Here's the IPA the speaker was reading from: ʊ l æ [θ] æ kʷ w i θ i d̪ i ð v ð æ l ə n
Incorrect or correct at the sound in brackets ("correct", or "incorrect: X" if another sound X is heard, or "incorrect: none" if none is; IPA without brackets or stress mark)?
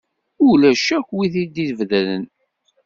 incorrect: ʃ